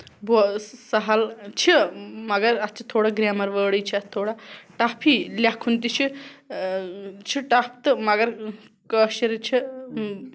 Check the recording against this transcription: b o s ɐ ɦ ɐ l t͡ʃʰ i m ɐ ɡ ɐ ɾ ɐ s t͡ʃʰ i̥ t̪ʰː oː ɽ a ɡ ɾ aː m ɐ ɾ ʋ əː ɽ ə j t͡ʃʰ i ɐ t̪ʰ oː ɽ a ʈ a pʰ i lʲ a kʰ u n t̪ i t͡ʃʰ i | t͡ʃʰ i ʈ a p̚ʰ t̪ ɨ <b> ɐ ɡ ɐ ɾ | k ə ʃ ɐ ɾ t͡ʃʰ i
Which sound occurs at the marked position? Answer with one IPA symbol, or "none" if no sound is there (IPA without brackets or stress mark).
m